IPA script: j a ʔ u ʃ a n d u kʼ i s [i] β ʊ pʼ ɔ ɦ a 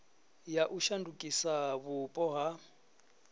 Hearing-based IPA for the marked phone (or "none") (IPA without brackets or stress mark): a